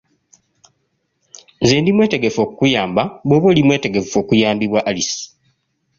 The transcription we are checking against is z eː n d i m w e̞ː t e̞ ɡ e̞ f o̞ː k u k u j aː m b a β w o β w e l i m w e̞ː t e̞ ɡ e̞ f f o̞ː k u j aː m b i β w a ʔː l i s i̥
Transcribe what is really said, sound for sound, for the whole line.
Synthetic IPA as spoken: z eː n d i m w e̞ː t e̞ ɡ e̞ f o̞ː k u k u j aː m b a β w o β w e l i m w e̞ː t e̞ ɡ e̞ f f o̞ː k u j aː m b i β w a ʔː l i s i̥